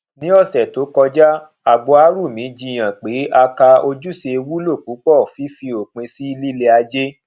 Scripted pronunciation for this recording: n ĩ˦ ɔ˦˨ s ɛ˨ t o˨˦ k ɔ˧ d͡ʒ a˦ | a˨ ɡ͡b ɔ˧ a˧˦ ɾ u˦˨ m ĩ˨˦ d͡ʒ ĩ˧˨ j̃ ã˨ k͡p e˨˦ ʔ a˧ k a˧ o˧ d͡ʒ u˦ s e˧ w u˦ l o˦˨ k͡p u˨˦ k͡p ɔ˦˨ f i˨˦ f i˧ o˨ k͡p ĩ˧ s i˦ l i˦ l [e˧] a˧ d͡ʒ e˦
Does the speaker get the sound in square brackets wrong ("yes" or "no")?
no